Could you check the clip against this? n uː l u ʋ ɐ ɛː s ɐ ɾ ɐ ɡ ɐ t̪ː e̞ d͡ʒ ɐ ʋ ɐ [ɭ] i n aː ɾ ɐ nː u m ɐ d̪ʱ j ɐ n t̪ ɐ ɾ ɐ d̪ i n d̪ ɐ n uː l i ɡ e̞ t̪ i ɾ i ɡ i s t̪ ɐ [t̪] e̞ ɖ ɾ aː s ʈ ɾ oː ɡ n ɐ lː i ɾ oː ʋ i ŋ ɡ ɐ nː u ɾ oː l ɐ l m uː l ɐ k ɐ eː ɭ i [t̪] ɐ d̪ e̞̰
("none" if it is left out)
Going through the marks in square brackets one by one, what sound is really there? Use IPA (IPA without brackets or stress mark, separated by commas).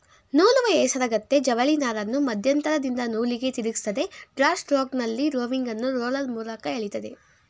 ɭ, d̪, t̪